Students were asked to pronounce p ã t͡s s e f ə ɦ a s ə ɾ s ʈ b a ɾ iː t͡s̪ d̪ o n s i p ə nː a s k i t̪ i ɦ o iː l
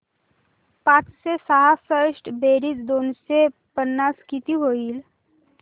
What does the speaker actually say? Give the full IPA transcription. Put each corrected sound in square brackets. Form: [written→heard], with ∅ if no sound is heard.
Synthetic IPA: p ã t͡s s e [f→s] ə ɦ a [s→f] ə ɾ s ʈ b [a→e] ɾ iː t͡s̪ d̪ o n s [i→e] p ə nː a s k i t̪ i ɦ o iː l